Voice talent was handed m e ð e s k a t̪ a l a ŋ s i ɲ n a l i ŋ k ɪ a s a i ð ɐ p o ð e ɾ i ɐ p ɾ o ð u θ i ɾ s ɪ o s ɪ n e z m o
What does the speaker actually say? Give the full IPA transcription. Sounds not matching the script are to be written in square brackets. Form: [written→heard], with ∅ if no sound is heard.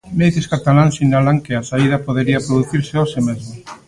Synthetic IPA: m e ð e s k a t̪ a l a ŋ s i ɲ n a l [i→a] ŋ k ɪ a s a i ð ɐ p o ð e ɾ i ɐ p ɾ o ð u θ i ɾ s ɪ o s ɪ [n→m] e z m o